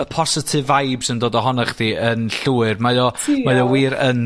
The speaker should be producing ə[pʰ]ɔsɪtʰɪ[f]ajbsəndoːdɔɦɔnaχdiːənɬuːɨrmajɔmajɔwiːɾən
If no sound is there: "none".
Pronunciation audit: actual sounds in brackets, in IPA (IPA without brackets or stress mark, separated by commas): pʰ, v